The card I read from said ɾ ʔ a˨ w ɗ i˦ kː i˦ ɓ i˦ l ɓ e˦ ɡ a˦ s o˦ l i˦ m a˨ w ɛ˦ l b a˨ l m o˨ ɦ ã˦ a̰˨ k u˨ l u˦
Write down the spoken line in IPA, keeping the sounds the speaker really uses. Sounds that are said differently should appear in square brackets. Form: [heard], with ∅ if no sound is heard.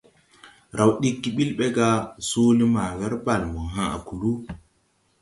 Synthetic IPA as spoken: ɾ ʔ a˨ w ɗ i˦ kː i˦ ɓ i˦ l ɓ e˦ ɡ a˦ s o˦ l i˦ m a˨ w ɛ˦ [ɾ] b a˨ l m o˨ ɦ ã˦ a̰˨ k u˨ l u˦